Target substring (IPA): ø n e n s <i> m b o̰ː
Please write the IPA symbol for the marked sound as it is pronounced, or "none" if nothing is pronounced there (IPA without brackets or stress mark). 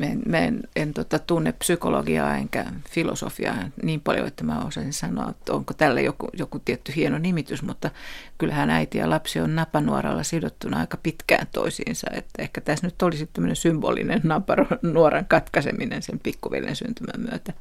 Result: y